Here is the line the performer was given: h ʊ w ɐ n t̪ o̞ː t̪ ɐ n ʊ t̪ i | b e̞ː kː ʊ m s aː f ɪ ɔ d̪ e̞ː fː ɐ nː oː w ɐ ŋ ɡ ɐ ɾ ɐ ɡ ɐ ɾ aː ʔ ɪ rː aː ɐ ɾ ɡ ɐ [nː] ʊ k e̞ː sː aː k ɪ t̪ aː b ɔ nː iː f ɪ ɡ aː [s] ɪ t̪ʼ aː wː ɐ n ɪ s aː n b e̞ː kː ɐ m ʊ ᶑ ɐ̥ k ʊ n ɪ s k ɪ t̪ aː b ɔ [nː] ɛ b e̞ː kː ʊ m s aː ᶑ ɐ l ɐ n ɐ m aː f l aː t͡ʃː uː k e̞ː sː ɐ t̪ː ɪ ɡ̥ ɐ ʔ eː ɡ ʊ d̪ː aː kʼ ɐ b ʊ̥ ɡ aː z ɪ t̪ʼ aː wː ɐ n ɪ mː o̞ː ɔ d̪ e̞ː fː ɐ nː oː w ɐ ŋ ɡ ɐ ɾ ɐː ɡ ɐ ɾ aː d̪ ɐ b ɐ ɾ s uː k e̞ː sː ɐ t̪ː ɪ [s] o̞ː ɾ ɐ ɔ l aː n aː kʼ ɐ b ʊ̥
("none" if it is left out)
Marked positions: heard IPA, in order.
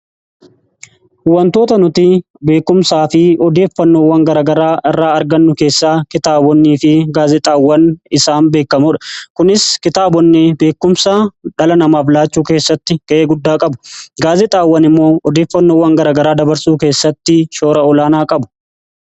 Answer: nː, z, nː, ʃ

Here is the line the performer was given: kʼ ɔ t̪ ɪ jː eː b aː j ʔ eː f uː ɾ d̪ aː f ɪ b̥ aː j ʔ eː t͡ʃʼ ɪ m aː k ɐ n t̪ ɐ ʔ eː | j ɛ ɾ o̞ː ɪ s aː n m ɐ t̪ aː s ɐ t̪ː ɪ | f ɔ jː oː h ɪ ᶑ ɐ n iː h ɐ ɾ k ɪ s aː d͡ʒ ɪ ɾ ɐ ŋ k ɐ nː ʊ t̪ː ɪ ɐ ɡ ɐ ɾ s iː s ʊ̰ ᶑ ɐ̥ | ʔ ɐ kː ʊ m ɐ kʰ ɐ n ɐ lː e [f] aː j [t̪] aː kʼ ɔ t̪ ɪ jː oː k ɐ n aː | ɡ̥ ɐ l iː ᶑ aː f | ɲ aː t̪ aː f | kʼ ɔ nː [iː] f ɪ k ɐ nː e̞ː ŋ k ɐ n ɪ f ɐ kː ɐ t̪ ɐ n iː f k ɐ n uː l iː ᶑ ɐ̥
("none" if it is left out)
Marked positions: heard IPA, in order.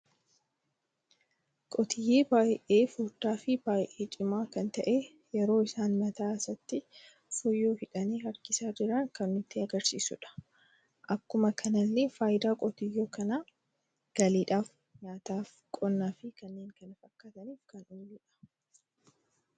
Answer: f, d̪, aː

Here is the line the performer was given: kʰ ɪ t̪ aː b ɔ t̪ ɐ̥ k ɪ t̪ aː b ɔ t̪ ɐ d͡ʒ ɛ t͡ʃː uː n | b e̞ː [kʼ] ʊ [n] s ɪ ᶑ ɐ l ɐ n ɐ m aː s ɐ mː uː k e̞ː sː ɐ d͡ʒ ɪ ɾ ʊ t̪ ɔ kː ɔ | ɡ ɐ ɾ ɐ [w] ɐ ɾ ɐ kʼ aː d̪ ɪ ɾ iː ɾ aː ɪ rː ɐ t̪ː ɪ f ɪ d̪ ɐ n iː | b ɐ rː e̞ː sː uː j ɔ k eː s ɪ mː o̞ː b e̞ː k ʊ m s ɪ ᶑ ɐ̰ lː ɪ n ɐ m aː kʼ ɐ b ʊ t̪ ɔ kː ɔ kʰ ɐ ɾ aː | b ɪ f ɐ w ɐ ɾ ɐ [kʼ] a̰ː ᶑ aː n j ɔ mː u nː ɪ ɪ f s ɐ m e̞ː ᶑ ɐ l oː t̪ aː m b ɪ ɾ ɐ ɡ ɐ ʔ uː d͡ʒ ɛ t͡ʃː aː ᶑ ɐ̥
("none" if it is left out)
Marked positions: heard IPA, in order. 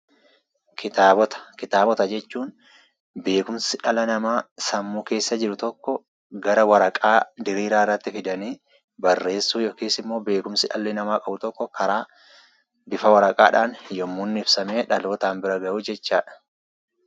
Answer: k, m, w, kʼ

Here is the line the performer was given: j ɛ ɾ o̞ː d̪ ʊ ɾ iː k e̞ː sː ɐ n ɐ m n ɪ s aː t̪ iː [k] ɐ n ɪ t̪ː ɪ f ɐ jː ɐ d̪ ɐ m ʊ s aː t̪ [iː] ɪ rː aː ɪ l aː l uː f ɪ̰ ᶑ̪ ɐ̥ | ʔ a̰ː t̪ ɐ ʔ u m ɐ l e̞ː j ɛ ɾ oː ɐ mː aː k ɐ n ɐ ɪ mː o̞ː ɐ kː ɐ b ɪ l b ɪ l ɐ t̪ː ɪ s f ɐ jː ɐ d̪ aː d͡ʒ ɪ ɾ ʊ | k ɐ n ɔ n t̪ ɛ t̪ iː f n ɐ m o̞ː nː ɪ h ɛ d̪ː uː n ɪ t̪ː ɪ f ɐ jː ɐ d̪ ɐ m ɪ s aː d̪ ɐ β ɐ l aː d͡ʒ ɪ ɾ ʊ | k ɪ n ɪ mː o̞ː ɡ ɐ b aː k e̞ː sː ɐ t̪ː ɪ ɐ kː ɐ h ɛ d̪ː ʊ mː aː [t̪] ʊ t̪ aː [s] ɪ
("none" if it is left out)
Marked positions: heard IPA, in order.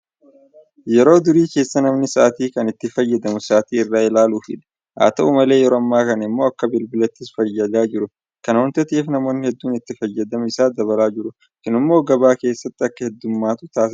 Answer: k, iː, t̪, s

